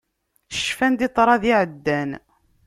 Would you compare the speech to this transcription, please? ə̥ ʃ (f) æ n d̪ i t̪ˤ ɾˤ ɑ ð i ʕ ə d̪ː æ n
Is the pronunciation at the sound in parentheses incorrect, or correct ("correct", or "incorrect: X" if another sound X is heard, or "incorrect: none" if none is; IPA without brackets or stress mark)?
correct